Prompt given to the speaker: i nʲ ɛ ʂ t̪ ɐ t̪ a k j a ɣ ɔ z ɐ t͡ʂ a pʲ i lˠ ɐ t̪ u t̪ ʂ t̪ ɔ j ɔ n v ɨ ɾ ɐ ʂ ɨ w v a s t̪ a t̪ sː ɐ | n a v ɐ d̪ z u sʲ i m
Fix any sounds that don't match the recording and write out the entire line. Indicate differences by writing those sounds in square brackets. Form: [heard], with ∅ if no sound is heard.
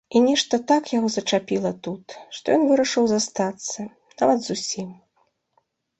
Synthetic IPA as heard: i nʲ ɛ ʂ t̪ ɐ t̪ a k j a ɣ ɔ z ɐ t͡ʂ a pʲ i lˠ ɐ t̪ u t̪ ʂ t̪ ɔ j ɔ n v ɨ ɾ ɐ ʂ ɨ w [z] a s t̪ a t̪ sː ɐ | n a v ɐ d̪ z u sʲ i m